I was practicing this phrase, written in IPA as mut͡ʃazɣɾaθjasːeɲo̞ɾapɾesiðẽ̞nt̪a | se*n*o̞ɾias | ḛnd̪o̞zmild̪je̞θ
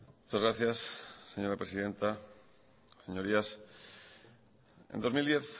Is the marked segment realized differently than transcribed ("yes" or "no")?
yes